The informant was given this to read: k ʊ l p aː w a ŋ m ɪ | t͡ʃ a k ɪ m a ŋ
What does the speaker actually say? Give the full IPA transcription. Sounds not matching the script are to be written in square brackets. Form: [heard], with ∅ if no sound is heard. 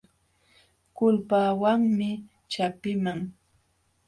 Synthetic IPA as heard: k ʊ l p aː w a ŋ m ɪ | t͡ʃ a [p] ɪ m a ŋ